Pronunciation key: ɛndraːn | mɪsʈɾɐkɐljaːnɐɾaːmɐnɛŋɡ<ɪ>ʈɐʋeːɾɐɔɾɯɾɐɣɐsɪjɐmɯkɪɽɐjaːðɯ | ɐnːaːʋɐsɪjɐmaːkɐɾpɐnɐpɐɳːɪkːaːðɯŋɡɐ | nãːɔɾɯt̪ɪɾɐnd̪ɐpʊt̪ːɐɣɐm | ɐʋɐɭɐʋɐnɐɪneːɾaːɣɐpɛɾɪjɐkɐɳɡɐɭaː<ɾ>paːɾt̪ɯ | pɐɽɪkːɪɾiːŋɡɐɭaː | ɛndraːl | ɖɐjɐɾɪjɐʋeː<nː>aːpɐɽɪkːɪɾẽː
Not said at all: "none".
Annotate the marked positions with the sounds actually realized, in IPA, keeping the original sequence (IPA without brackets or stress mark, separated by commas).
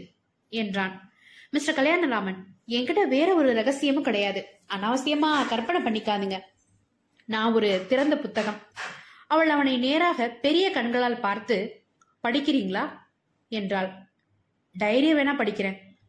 ɪ, l, n